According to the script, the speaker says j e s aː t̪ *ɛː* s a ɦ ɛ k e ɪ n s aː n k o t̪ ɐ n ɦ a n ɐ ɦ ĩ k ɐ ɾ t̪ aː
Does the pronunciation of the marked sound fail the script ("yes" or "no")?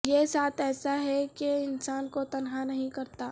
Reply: no